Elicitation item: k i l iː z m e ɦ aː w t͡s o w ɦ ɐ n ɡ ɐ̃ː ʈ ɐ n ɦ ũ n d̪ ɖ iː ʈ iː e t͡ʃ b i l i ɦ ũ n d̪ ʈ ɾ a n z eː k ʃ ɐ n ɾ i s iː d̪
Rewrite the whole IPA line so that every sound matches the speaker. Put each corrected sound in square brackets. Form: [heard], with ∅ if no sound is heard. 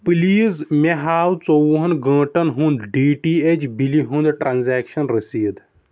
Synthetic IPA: [p] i l iː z m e ɦ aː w t͡s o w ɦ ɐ n ɡ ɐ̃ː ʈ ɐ n ɦ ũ n d̪ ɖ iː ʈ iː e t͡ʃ b i l i ɦ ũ n d̪ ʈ ɾ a n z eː k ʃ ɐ n ɾ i s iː d̪